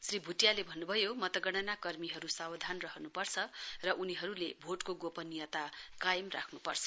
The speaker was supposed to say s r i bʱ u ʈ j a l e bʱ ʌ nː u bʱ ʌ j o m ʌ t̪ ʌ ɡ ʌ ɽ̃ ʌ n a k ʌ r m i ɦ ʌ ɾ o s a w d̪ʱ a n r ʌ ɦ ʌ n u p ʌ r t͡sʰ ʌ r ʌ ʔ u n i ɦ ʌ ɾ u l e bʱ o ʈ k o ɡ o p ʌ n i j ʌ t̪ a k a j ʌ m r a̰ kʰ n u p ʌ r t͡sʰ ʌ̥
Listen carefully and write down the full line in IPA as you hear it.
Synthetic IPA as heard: s r i bʱ u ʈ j a l e bʱ ʌ nː u bʱ ʌ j o m ʌ t̪ ʌ ɡ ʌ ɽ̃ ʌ n a k ʌ r m i ɦ ʌ ɾ u s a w d̪ʱ a n r ʌ ɦ ʌ n u p ʌ r t͡sʰ ʌ r ʌ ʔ u n i ɦ ʌ ɾ u l e bʱ o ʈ k o ɡ o p ʌ n i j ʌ t̪ a k a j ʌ m r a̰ kʰ n u p ʌ r t͡sʰ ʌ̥